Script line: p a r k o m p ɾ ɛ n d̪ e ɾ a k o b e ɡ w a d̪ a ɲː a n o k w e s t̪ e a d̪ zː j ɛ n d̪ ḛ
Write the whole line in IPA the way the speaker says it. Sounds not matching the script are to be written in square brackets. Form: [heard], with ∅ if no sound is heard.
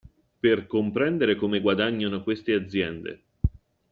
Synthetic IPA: p [e] r k o m p ɾ ɛ n d̪ e ɾ [e] k o [m] e ɡ w a d̪ a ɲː a n o k w e s t̪ e a d̪ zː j ɛ n d̪ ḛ